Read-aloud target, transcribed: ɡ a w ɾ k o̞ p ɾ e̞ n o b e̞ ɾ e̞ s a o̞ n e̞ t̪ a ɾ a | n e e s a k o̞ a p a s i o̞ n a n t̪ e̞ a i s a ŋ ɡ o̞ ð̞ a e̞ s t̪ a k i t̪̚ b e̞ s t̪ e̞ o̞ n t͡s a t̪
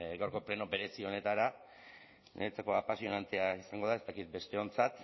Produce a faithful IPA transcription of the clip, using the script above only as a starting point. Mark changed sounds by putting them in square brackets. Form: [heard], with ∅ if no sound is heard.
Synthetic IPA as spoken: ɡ a w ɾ k o̞ p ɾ e̞ n o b e̞ ɾ e̞ s [i] o̞ n e̞ t̪ a ɾ a | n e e [t͡s] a k o̞ a p a s i o̞ n a n t̪ e̞ a i s a ŋ ɡ o̞ ð̞ a e̞ s t̪ a k i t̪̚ b e̞ s t̪ e̞ o̞ n t͡s a t̪